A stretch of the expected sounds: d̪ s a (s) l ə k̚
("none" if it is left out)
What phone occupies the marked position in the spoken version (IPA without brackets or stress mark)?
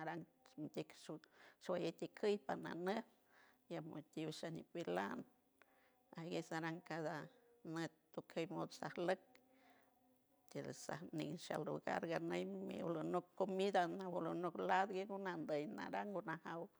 h